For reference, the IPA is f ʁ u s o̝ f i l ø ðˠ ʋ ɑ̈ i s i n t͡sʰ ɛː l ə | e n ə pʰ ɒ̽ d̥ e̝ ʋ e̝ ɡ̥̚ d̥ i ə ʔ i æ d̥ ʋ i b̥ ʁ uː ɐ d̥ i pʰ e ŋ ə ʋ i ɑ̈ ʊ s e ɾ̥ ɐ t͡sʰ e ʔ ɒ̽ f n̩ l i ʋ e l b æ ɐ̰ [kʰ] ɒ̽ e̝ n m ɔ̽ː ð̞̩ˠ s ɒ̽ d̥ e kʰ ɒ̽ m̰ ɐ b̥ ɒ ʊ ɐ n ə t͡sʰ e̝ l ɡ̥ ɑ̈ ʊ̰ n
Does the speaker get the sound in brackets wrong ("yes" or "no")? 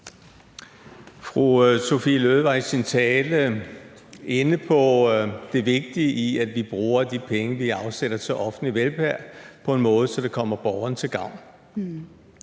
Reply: yes